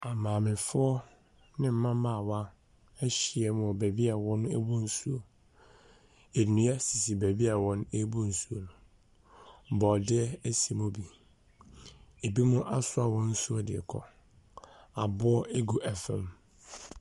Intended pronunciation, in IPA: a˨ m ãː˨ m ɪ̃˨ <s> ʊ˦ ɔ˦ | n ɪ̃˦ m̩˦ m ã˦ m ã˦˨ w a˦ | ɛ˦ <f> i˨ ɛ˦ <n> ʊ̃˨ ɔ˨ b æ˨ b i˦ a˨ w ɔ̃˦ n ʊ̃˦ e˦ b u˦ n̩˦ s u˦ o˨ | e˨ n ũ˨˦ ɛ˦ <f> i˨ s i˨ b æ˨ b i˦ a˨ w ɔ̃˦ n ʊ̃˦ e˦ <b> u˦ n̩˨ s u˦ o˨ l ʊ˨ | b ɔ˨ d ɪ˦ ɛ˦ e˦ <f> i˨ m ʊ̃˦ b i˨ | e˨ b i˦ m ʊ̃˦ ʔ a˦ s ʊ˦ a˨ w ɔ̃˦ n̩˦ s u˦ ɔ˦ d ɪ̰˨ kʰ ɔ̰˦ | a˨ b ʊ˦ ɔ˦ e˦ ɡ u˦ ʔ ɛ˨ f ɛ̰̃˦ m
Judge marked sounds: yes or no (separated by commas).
no, no, no, no, yes, no